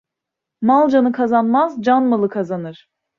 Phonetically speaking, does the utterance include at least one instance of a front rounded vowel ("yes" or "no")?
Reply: no